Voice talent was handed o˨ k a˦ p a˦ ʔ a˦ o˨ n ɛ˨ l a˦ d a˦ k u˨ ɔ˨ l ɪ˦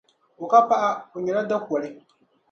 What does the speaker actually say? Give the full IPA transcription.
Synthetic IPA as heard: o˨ k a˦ p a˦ ʔ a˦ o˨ ɲ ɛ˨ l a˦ d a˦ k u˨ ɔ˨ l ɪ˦

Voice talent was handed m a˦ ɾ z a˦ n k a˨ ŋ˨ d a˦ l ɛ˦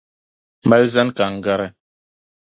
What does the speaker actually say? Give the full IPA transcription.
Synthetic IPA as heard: m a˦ l z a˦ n k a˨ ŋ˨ ɡ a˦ ɾ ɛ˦

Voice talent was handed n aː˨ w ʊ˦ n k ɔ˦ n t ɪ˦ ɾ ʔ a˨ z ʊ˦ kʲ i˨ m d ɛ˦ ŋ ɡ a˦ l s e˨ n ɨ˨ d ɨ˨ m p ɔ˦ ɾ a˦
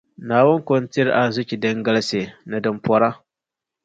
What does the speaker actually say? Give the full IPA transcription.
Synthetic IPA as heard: n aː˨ w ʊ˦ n k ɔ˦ n t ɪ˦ ɾ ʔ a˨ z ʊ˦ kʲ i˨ d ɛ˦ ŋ ɡ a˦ l s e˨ n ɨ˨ d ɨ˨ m p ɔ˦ ɾ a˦

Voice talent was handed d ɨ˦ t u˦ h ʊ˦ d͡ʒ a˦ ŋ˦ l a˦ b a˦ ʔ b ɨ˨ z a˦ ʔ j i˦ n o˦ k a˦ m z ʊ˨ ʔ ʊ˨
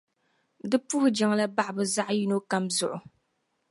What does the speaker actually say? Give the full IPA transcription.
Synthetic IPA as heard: d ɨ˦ p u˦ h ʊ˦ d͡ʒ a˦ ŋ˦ l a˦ b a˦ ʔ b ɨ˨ z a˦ ʔ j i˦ n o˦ k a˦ m z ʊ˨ ʔ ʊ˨

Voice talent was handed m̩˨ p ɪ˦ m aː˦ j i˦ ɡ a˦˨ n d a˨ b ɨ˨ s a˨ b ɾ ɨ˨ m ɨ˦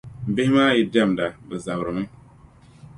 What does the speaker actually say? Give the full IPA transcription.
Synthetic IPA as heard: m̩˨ b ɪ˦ m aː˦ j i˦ d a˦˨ m d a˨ b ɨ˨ z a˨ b ɾ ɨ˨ m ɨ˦

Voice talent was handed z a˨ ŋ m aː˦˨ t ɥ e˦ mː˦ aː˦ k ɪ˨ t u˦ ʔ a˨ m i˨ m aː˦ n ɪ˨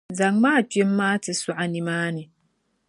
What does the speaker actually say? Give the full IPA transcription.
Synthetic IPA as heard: z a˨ ŋ m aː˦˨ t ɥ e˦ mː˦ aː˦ t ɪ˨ s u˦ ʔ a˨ n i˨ m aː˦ n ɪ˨

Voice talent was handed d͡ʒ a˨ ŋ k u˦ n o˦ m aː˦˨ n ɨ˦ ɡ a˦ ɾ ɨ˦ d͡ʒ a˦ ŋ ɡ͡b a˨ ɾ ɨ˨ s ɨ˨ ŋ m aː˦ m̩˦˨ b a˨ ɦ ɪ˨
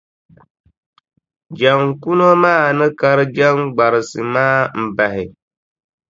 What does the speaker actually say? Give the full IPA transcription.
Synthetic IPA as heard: d͡ʒ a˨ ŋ k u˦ n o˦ m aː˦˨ n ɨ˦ k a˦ ɾ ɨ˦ d͡ʒ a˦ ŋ ɡ͡b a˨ ɾ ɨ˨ s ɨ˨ m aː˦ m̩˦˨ b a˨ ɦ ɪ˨

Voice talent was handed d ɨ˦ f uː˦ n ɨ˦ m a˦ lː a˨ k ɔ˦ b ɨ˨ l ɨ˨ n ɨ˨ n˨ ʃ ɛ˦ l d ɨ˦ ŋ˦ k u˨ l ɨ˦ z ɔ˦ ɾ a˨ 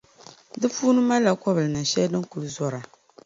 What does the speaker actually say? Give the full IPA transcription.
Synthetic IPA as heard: d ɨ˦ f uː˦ n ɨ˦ m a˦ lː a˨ k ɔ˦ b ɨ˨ l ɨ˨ n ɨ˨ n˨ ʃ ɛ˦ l d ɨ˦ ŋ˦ k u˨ l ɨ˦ z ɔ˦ ɾ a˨

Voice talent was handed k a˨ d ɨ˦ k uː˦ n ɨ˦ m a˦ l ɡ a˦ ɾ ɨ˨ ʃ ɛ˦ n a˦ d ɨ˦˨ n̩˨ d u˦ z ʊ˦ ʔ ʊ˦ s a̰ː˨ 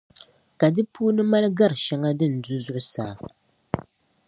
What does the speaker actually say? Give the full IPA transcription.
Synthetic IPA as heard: k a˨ d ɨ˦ p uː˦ n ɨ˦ m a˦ l ɡ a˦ ɾ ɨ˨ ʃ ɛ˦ ŋ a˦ d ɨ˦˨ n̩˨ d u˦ z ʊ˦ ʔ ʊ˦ s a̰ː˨

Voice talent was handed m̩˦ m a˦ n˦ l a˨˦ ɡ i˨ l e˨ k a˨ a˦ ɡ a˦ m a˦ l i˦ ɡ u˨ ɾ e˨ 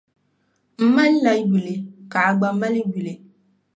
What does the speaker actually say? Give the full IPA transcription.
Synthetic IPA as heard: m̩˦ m a˦ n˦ l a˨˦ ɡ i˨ l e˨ k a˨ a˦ ɡ͡b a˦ m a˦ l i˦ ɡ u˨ l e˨

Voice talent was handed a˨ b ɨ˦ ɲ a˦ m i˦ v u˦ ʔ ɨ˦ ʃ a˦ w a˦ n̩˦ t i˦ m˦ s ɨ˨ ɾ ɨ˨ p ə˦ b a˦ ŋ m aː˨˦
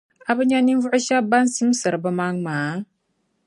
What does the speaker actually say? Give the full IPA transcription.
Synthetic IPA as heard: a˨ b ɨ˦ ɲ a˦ n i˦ v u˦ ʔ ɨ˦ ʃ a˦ b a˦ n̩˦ s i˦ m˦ s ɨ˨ ɾ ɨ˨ b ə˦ m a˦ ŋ m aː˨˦

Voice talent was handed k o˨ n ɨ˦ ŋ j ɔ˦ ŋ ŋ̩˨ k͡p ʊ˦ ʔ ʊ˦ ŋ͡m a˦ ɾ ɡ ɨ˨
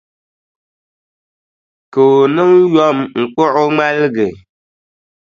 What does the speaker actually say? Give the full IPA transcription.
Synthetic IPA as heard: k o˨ n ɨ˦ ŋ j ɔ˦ m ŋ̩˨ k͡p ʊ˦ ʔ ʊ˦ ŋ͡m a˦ l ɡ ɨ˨

